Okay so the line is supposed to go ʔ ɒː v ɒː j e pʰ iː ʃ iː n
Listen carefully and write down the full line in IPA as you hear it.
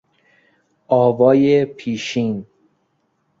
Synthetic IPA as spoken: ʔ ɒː v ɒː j e pʰ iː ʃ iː n